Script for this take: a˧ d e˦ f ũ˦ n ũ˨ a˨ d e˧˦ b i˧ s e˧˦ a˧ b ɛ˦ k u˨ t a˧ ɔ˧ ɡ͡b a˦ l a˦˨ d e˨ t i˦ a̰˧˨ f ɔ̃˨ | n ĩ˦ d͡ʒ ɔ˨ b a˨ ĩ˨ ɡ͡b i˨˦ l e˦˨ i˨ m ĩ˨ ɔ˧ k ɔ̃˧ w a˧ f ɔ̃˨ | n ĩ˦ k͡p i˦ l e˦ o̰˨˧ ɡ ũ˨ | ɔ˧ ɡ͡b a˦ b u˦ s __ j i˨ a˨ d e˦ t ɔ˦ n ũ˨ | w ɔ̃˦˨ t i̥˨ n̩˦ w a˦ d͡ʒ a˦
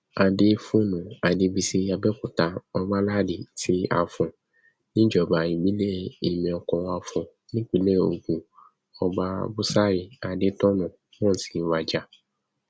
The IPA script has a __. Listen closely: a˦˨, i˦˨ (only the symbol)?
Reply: a˦˨